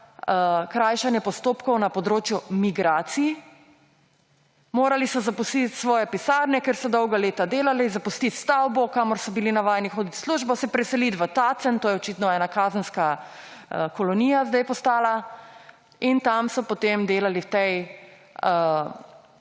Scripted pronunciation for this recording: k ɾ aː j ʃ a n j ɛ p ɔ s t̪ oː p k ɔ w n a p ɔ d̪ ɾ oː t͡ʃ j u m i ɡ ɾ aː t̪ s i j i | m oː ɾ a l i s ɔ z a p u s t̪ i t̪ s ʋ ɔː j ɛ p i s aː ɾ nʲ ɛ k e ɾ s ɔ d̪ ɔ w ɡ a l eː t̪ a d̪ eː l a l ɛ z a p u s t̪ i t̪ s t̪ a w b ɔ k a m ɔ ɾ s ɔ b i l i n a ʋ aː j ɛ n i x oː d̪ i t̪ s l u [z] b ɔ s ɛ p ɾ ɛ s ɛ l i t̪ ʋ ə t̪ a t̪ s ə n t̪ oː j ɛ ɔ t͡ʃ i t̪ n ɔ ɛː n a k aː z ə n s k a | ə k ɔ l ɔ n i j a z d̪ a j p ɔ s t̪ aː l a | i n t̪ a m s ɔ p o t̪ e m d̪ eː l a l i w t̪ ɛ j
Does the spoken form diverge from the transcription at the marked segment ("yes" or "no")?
yes